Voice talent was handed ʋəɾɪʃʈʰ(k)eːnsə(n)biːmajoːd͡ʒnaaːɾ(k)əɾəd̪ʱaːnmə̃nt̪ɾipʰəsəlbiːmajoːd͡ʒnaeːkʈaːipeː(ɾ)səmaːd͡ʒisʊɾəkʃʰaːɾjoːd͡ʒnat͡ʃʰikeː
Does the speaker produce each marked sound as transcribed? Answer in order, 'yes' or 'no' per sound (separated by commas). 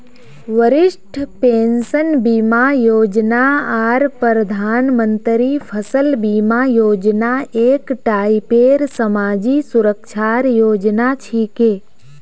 no, yes, no, yes